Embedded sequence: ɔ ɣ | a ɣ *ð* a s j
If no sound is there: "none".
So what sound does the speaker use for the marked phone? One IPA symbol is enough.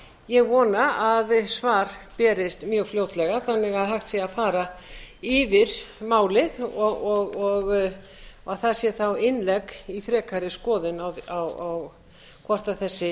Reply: θ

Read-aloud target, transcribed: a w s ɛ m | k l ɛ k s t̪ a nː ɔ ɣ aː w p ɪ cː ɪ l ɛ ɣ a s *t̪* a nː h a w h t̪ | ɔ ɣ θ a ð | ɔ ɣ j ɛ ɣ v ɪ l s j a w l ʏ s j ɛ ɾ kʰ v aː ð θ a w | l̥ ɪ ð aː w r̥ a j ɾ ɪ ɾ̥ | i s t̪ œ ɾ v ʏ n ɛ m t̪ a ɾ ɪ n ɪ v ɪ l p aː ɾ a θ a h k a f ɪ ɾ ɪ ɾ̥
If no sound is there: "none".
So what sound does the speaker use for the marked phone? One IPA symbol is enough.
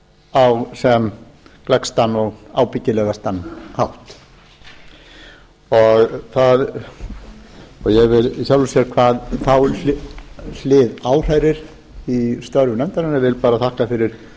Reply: t̪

